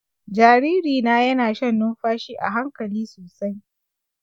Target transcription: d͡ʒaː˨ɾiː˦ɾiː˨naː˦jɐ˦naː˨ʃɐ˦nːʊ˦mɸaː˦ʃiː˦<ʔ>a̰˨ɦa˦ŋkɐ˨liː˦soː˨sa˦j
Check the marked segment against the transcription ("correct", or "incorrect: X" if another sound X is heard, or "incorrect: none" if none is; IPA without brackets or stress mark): correct